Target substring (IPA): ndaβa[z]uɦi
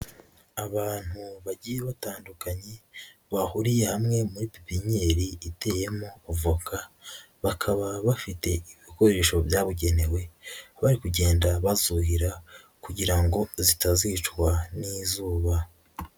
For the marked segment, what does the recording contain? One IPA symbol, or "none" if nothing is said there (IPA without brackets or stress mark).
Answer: z